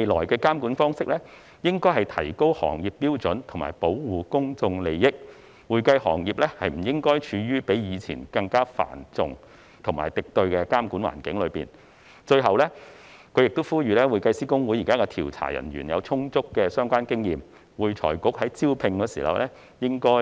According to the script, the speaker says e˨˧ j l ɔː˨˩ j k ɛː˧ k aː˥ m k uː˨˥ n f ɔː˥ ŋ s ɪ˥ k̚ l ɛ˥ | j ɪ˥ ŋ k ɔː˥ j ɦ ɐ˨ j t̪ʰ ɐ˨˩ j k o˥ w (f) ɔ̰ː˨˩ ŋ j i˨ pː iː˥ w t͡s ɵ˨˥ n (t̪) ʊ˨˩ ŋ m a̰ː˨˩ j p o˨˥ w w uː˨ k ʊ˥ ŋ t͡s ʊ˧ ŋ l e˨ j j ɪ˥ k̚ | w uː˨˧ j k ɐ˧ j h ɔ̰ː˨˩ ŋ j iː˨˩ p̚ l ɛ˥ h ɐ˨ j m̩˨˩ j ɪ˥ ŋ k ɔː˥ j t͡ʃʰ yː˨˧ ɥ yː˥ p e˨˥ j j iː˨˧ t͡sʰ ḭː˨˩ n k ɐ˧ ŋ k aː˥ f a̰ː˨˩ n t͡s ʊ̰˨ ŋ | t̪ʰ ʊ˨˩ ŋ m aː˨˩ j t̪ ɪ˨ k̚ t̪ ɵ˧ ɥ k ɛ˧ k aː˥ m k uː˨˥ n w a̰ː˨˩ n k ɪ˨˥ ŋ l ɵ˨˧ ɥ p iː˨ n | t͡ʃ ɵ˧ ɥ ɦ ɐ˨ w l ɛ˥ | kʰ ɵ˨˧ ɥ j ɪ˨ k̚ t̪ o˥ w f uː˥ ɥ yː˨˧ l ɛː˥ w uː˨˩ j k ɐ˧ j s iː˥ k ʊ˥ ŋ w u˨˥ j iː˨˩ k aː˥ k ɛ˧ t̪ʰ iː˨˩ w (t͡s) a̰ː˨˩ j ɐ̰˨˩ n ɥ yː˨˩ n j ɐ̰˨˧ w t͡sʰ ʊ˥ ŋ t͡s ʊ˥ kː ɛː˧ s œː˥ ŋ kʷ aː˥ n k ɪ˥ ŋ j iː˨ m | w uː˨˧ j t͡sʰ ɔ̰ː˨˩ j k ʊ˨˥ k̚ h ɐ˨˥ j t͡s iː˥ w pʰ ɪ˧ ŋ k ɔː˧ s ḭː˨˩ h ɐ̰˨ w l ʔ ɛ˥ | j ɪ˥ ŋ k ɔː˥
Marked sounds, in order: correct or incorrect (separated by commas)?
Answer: incorrect, incorrect, incorrect